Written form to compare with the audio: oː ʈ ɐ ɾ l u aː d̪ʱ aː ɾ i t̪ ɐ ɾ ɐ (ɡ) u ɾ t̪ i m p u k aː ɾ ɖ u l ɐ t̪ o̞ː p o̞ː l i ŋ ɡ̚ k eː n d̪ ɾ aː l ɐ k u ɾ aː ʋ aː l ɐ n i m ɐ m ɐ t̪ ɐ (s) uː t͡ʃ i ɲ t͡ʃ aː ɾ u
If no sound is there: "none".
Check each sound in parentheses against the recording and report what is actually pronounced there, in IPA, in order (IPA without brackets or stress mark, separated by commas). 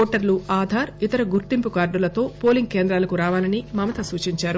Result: ɡ, s